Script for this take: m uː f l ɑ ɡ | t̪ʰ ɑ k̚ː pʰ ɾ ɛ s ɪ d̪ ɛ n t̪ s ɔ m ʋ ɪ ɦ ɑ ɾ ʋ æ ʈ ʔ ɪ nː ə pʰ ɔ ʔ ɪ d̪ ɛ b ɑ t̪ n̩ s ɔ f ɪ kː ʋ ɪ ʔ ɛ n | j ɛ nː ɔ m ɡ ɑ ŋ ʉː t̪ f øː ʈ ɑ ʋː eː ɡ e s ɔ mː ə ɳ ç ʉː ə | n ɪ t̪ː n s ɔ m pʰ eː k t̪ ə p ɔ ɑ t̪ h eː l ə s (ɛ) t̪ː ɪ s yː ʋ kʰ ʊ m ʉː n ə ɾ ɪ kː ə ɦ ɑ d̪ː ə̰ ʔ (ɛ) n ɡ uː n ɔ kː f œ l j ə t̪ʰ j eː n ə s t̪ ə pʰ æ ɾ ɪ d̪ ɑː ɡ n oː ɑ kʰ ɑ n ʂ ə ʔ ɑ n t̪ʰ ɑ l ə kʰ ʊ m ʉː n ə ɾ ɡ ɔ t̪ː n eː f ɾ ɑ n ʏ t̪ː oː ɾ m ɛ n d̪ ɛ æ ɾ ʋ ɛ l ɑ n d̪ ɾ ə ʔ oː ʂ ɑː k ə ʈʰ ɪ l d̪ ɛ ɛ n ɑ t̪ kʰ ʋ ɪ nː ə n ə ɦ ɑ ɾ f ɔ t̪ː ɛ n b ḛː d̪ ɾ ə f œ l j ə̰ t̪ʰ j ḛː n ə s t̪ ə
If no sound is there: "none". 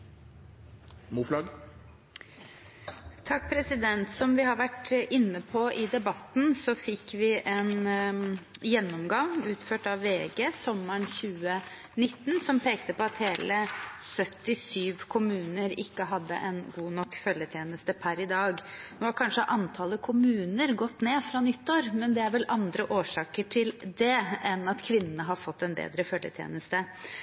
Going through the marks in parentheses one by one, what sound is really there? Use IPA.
œ, ɛ

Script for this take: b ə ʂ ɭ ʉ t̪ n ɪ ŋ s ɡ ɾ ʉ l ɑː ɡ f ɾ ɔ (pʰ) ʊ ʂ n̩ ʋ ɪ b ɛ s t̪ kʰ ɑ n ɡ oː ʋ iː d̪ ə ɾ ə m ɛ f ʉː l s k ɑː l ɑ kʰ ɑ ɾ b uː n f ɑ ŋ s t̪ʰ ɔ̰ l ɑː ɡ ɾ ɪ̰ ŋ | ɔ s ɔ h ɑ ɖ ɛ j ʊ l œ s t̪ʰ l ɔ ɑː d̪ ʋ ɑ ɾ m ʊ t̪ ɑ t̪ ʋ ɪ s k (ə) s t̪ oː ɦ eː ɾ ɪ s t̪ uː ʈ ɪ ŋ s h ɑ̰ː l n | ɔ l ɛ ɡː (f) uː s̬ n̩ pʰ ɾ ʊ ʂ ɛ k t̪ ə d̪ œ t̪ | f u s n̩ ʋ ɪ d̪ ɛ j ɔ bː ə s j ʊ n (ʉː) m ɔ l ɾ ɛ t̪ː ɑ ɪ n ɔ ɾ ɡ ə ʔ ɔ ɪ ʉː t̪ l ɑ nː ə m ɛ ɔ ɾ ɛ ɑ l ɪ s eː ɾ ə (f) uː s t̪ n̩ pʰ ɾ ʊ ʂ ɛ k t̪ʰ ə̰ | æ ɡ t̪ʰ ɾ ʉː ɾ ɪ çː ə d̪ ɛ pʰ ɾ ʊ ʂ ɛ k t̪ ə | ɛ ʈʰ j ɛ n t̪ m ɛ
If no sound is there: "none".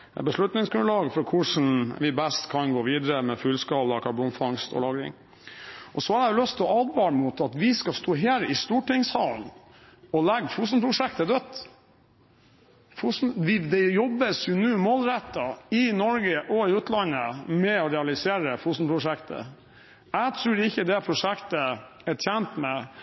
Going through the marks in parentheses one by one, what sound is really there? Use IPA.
kʰ, ɑ, f, ʉː, f

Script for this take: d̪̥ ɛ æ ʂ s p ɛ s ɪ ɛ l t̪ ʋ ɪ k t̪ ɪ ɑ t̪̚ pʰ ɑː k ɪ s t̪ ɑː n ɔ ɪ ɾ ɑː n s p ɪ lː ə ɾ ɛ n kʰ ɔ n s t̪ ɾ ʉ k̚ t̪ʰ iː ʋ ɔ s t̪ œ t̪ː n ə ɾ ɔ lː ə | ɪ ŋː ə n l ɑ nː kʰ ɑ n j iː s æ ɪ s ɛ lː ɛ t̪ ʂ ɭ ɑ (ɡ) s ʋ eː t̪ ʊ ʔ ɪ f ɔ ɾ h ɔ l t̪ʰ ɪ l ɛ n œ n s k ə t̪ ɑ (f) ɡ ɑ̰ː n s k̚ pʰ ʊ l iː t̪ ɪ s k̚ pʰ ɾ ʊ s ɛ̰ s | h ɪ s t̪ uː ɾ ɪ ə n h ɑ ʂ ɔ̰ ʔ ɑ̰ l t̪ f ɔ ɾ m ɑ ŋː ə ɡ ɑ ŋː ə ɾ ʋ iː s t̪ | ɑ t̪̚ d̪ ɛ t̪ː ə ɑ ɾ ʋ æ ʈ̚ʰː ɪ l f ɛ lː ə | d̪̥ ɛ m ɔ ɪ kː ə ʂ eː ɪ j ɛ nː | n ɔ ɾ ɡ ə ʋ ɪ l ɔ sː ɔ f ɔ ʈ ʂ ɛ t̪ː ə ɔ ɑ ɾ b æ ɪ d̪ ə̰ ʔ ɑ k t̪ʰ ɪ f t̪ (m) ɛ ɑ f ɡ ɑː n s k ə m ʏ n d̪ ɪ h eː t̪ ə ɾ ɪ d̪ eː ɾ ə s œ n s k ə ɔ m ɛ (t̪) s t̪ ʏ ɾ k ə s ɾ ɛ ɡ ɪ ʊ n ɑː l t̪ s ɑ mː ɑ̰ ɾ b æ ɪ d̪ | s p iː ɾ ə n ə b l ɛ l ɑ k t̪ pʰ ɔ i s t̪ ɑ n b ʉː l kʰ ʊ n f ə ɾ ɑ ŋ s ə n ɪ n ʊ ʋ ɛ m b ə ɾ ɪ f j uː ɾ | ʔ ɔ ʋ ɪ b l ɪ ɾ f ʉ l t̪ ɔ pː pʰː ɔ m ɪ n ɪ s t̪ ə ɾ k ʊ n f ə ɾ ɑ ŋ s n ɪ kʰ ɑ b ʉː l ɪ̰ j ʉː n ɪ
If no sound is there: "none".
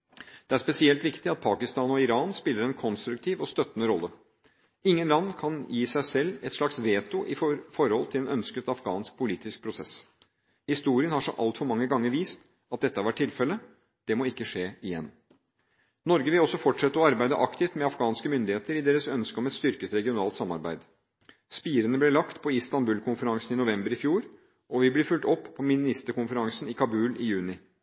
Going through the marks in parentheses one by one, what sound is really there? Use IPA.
k, f, m, t̪

